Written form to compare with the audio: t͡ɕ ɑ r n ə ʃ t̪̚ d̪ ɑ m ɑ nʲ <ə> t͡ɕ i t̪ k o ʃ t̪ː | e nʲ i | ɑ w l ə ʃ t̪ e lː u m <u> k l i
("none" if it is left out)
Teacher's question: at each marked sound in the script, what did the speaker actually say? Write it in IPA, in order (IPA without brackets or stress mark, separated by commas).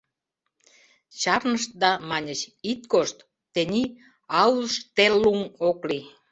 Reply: ə, o